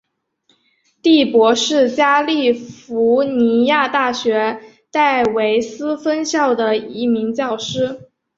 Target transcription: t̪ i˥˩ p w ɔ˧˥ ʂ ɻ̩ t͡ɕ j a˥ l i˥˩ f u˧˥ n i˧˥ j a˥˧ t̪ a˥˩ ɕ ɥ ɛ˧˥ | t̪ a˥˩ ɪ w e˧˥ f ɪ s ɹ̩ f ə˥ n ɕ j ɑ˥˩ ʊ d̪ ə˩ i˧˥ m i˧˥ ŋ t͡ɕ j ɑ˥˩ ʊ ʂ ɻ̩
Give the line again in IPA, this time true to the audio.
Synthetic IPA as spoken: t̪ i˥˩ p w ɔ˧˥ ʂ ɻ̩ t͡ɕ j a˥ l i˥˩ f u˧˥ n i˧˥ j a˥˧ t̪ a˥˩ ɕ ɥ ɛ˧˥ | t̪ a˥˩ ɪ w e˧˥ ɪ s ɹ̩ f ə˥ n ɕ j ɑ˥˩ ʊ d̪ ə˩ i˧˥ m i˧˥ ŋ t͡ɕ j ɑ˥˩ ʊ ʂ ɻ̩

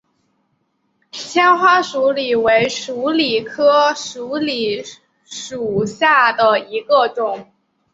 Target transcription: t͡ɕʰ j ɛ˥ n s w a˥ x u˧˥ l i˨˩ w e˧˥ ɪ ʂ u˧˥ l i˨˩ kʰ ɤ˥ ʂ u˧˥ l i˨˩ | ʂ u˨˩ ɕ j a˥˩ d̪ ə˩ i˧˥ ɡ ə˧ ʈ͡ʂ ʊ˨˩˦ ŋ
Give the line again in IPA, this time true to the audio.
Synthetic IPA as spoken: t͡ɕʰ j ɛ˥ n x w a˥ ʂ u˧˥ l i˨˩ w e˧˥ ɪ ʂ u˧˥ l i˨˩ kʰ ɤ˥ ʂ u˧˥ l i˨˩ | ʂ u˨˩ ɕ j a˥˩ d̪ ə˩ i˧˥ ɡ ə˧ ʈ͡ʂ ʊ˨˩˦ ŋ

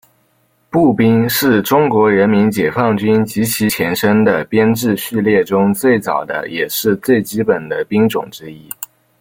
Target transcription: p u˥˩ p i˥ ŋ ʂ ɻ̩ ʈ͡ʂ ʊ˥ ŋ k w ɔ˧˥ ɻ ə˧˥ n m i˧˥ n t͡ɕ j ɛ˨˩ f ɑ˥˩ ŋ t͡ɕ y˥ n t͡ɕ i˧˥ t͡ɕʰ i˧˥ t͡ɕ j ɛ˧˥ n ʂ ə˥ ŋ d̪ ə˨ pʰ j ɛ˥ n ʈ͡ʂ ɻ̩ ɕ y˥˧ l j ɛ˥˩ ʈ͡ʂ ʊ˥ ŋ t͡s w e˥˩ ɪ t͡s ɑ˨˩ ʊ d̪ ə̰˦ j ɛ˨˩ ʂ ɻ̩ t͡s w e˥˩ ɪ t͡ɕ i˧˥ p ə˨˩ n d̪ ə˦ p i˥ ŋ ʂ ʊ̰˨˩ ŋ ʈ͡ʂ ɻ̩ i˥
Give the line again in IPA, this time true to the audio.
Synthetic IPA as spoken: p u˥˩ p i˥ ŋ ʂ ɻ̩ ʈ͡ʂ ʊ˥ ŋ k w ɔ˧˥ ɻ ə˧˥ n m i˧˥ n t͡ɕ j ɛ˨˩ f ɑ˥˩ ŋ t͡ɕ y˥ n t͡ɕ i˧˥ t͡ɕʰ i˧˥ t͡ɕʰ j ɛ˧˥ n ʂ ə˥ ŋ d̪ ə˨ p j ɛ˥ n ʈ͡ʂ ɻ̩ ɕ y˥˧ l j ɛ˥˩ ʈ͡ʂ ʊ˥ ŋ t͡s w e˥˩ ɪ t͡s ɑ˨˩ ʊ d̪ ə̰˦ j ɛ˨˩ ʂ ɻ̩ t͡s w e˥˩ ɪ t͡ɕ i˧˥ p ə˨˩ n d̪ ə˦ p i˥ ŋ ʈ͡ʂ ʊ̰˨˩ ŋ ʈ͡ʂ ɻ̩ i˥

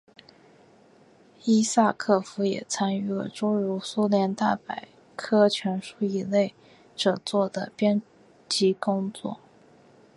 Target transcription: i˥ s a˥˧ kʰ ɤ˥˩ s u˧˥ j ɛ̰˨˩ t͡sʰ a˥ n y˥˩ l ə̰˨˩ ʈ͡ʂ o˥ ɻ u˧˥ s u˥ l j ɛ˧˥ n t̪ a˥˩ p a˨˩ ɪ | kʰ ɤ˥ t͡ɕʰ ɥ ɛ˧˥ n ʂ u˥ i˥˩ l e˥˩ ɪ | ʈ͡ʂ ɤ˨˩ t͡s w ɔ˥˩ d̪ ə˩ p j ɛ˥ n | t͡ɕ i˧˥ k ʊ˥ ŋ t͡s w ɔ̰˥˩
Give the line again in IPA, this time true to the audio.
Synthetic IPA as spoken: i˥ s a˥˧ kʰ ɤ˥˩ f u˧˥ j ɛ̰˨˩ t͡sʰ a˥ n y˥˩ l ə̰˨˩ ʈ͡ʂ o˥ ɻ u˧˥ s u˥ l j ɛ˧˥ n t̪ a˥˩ p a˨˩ ɪ | kʰ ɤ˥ t͡ɕʰ ɥ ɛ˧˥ n ʂ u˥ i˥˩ l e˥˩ ɪ | ʈ͡ʂ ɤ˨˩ t͡s w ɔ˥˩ d̪ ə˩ p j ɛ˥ n | t͡ɕ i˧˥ k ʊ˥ ŋ t͡s w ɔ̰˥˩

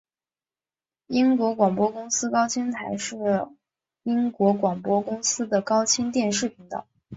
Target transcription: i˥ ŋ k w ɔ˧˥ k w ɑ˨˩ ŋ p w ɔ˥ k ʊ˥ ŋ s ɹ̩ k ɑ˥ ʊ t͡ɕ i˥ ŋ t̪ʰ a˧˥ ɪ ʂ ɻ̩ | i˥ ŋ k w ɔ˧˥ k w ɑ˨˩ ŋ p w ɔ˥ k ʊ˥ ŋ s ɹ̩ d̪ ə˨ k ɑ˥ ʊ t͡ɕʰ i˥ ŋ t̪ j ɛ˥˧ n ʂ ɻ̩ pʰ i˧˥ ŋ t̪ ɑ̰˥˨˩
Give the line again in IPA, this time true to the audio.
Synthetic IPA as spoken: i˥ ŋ k w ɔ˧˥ k w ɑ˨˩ ŋ p w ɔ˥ k ʊ˥ ŋ s ɹ̩ k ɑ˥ ʊ t͡ɕʰ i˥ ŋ t̪ʰ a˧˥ ɪ ʂ ɻ̩ | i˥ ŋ k w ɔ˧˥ k w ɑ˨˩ ŋ p w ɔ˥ k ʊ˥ ŋ s ɹ̩ d̪ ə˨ k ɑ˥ ʊ t͡ɕʰ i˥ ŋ t̪ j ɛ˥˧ n ʂ ɻ̩ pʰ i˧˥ ŋ t̪ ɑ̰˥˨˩

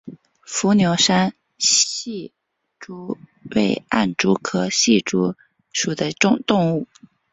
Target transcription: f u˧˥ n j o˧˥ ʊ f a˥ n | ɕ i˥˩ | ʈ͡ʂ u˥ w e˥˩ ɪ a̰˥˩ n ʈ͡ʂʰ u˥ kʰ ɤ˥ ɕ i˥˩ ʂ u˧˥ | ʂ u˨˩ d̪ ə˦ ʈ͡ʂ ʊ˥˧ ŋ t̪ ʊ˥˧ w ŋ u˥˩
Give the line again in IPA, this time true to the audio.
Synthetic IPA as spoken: f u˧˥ n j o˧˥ ʊ ʂ a˥ n | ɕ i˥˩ | ʈ͡ʂ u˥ w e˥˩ ɪ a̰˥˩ n ʈ͡ʂ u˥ kʰ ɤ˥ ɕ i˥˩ ʈ͡ʂ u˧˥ | ʂ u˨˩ d̪ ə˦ ʈ͡ʂ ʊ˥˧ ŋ t̪ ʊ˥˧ ŋ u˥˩

